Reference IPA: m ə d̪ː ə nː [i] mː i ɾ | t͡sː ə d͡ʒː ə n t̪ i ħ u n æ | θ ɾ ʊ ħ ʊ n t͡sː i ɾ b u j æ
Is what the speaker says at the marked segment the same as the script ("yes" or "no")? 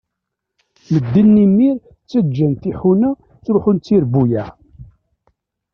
yes